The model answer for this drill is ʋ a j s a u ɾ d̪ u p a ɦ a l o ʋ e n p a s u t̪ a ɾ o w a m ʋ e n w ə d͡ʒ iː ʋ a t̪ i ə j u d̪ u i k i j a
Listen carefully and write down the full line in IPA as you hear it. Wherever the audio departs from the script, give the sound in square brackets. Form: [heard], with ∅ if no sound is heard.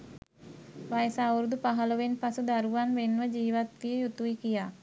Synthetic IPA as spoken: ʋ a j s a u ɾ d̪ u p a ɦ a l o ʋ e n p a s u [d̪] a ɾ [u] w a [n] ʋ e n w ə d͡ʒ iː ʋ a t̪ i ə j u [t̪] u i k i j a